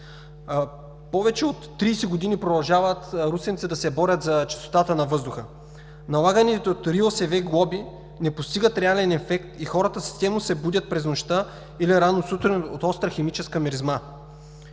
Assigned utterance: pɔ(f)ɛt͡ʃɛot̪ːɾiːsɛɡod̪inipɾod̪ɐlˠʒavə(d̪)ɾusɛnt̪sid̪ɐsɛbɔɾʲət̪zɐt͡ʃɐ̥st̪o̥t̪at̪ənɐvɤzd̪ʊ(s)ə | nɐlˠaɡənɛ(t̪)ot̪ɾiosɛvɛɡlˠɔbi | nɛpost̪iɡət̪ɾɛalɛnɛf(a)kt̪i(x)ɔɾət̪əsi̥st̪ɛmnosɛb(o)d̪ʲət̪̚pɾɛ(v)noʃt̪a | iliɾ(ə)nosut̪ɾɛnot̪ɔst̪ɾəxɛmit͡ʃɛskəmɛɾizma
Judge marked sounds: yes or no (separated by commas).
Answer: no, no, no, yes, no, yes, no, no, no